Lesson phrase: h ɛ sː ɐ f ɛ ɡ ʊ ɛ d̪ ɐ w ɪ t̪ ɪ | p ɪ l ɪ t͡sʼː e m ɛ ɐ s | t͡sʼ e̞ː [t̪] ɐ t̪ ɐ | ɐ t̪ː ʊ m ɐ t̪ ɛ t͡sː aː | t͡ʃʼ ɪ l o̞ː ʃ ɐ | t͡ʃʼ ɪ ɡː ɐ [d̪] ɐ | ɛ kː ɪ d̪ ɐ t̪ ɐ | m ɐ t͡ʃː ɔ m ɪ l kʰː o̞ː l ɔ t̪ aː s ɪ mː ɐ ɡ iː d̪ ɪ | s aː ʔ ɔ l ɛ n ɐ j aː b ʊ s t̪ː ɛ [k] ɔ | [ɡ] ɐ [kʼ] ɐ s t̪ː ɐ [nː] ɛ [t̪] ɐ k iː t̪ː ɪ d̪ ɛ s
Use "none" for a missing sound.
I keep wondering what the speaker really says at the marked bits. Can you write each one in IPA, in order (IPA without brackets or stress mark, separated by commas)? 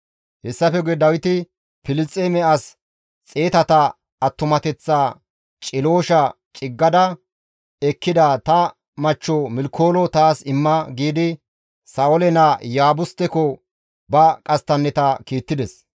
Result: t̪, d̪, k, b, kʼ, nː, t̪